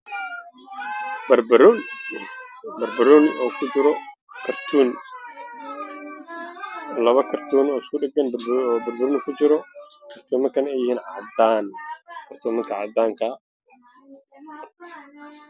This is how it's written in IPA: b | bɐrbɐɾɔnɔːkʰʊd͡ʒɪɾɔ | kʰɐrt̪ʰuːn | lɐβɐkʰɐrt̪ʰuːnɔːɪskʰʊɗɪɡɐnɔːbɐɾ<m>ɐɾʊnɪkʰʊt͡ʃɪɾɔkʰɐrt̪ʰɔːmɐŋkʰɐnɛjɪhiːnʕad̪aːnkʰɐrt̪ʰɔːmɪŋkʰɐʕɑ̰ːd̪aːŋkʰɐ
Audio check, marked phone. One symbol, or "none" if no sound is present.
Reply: b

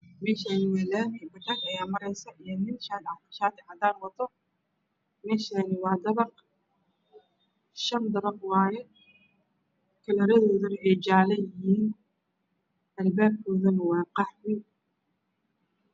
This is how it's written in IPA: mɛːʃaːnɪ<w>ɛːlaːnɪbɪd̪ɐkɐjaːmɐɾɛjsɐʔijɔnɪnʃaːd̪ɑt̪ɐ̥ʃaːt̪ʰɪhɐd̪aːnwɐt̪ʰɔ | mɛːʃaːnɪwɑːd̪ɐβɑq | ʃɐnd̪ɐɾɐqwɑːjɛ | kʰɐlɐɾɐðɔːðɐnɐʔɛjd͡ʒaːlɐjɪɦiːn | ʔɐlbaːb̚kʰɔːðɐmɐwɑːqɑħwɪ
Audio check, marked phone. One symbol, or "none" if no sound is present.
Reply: w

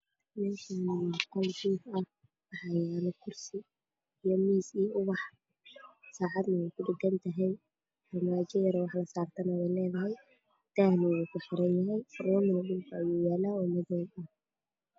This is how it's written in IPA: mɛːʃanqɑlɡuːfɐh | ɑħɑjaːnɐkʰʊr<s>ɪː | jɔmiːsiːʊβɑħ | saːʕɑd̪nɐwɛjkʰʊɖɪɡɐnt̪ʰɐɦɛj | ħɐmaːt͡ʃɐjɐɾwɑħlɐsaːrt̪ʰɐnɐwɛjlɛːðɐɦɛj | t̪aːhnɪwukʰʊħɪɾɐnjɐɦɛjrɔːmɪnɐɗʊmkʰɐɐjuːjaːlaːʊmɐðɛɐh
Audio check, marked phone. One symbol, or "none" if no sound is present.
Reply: s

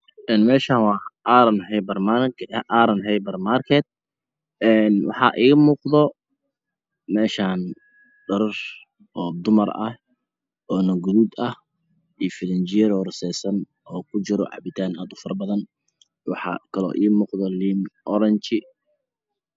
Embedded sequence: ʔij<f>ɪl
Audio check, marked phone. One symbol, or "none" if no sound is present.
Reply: f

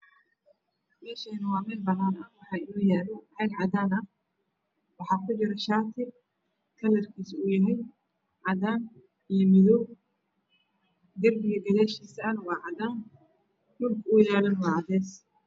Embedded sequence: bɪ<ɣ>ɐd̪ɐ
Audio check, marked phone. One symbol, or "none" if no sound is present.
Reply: ɣ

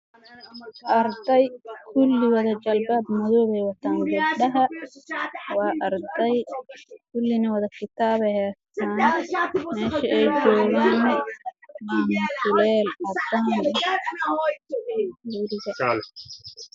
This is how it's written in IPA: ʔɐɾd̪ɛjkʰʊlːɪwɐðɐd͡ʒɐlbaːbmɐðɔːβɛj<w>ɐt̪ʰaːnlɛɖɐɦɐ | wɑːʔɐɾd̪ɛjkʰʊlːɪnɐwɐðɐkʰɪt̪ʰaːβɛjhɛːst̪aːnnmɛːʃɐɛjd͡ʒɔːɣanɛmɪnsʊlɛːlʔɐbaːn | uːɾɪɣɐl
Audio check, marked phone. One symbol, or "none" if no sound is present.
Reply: w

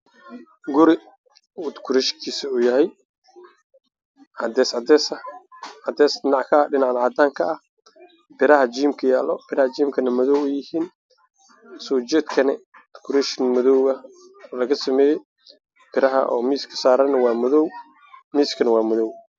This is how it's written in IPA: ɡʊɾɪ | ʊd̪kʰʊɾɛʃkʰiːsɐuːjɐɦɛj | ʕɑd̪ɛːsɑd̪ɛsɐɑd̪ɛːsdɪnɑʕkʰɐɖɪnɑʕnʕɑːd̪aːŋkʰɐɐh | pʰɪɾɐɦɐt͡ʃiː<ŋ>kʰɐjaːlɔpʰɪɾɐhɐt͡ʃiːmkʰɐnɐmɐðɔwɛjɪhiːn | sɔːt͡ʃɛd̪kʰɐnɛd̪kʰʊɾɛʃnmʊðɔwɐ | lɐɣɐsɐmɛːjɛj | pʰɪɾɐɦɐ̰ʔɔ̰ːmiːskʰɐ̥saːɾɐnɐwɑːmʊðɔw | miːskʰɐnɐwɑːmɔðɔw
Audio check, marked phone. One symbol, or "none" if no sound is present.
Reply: m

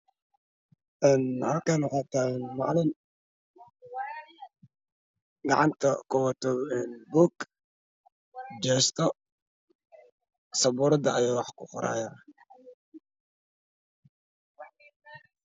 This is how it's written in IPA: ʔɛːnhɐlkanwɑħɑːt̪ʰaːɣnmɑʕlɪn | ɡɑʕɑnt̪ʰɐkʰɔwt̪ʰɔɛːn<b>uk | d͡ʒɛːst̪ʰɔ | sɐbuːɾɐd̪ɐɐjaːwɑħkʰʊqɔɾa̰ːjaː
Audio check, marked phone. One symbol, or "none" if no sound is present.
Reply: b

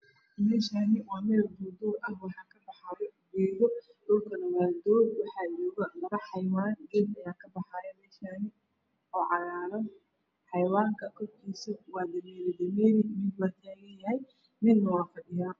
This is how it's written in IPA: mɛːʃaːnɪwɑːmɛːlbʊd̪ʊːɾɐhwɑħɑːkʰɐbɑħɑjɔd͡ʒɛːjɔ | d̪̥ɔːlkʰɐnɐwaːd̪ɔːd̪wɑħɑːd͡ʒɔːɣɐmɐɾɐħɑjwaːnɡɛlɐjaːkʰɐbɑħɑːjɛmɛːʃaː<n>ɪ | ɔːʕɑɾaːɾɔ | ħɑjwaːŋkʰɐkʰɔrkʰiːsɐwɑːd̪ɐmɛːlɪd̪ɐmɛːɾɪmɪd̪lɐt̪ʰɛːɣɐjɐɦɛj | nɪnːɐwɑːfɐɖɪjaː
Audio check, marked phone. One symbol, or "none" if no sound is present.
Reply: n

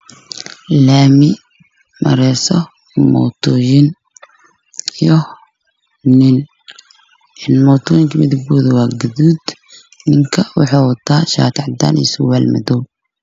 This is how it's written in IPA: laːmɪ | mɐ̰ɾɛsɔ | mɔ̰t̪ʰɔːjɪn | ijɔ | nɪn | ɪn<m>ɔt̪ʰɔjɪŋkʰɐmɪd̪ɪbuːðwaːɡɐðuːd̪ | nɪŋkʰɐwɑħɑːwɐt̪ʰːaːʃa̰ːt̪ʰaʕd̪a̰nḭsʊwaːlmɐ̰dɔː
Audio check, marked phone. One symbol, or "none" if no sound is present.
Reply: m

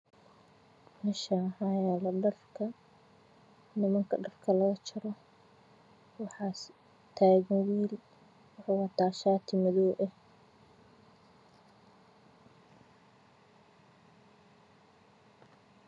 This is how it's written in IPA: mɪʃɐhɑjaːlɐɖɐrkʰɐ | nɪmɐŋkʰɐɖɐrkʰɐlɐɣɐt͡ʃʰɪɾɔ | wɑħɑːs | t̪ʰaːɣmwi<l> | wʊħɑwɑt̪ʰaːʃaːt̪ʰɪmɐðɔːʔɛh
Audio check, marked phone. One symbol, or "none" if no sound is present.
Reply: l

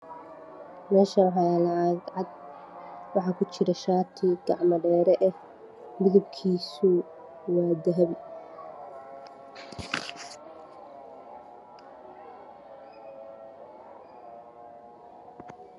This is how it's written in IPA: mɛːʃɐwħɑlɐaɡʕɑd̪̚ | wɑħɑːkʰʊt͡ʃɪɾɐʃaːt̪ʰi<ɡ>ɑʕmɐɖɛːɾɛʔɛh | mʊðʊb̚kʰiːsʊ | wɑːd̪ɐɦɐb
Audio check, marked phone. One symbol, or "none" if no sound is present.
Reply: ɡ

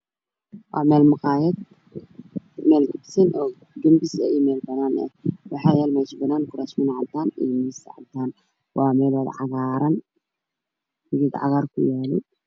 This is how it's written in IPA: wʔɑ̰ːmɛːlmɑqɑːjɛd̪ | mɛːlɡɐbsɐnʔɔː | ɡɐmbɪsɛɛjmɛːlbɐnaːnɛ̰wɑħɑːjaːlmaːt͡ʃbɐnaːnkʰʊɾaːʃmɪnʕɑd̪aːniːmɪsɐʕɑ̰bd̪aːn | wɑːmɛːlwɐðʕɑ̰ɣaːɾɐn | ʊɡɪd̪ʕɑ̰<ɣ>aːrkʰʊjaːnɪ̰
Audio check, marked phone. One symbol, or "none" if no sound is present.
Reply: ɣ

